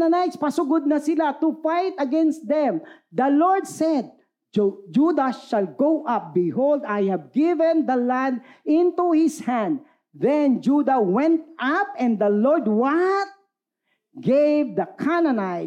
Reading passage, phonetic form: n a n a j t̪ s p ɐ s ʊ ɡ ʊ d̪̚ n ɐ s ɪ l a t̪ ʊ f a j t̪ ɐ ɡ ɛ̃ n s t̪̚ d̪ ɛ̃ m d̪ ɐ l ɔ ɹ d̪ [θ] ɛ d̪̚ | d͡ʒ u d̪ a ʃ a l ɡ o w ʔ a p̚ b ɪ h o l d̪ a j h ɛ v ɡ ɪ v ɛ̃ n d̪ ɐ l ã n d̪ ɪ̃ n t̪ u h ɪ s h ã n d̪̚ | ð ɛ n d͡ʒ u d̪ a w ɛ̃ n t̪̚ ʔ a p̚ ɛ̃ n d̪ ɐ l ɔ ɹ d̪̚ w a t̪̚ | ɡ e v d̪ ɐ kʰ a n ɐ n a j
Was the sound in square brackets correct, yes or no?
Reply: no